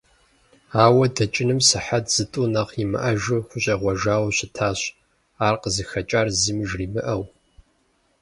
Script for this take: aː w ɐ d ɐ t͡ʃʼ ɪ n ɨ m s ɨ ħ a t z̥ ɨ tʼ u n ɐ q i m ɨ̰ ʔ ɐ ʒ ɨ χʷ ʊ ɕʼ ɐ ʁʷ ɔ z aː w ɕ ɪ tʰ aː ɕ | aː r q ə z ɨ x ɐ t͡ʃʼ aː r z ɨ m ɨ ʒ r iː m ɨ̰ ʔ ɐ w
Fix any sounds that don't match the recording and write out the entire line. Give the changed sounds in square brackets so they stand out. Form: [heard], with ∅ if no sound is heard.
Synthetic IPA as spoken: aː w ɐ d ɐ t͡ʃʼ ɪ n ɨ m s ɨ ħ a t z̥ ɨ tʼ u n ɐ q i m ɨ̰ ʔ ɐ ʒ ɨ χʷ ʊ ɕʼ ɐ ʁʷ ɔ [ʒ] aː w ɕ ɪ tʰ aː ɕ | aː r q ə z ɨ x ɐ t͡ʃʼ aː r z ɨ m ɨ ʒ r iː m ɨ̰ ʔ ɐ w